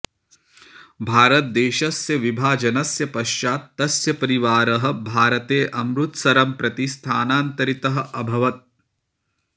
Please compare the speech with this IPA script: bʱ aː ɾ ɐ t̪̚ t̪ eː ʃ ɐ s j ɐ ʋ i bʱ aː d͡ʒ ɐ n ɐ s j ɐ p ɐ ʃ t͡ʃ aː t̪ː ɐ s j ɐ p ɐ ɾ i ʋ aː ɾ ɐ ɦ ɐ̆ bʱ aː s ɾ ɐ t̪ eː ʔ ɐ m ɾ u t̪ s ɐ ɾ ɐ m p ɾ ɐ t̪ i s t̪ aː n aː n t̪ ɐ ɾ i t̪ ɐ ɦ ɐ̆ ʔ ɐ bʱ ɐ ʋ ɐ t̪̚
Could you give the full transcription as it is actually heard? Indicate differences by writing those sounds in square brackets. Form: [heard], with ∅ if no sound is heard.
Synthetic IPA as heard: bʱ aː ɾ ɐ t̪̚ [d̪] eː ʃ ɐ s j ɐ ʋ i bʱ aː d͡ʒ ɐ n ɐ s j ɐ p ɐ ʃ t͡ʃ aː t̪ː ɐ s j ɐ p ɐ ɾ i ʋ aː ɾ ɐ ɦ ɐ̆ bʱ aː [∅] ɾ ɐ t̪ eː ʔ ɐ m ɾ u t̪ s ɐ ɾ ɐ m p ɾ ɐ t̪ i s [t̪ʰ] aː n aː n t̪ ɐ ɾ i t̪ ɐ ɦ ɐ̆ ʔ ɐ bʱ ɐ ʋ ɐ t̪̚